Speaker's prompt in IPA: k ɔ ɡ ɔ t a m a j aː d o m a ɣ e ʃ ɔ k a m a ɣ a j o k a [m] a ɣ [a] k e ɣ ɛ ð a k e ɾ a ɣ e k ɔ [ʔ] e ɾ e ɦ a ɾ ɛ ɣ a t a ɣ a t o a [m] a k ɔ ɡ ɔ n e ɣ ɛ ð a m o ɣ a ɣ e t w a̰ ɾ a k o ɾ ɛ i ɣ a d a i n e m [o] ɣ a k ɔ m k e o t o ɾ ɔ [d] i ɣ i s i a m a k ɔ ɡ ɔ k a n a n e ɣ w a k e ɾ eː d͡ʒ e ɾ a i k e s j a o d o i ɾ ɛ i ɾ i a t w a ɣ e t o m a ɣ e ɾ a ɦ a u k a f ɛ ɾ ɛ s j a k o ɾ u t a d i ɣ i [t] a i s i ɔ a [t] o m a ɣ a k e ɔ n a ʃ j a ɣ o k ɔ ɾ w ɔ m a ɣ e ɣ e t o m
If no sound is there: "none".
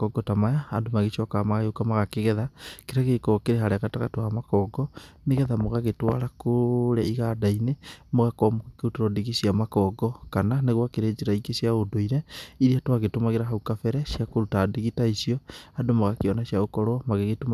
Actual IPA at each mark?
m, a, k, m, o, d, t, d

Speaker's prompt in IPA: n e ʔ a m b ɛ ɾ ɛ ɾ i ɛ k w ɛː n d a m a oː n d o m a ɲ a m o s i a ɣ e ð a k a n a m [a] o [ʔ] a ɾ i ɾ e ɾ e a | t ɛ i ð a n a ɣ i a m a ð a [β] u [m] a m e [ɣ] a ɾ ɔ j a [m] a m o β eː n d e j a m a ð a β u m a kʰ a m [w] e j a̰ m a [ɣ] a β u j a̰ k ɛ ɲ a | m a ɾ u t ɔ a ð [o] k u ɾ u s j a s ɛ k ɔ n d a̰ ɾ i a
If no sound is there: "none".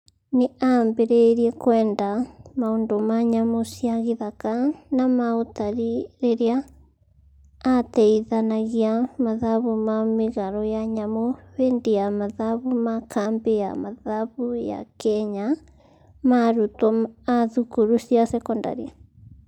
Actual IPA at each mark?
a, t, β, m, ɣ, ɲ, b, ð, u

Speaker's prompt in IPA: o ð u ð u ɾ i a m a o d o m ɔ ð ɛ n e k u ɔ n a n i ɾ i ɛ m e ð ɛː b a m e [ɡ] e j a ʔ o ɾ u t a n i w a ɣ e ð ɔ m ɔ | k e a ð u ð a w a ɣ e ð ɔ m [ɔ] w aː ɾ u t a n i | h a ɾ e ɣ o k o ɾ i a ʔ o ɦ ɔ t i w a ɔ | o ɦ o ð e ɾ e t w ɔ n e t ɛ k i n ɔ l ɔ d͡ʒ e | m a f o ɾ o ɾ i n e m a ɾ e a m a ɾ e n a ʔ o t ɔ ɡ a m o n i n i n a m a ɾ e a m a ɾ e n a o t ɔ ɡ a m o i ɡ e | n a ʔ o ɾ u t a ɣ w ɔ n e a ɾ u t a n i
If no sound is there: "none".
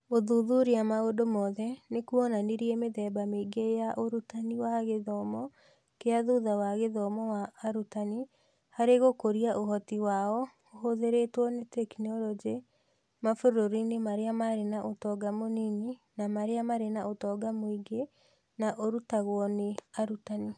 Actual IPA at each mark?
ɡ, ɔ

